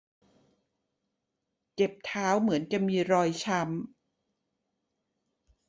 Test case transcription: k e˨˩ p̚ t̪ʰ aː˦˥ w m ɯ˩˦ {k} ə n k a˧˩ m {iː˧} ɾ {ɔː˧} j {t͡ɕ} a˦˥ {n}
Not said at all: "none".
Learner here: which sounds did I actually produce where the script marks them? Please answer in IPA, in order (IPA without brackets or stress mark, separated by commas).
none, iː˧, ɔː˧, t͡ɕʰ, m